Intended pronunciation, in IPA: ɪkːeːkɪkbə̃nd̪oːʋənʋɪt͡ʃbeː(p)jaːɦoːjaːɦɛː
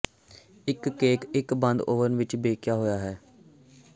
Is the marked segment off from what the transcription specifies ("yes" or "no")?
yes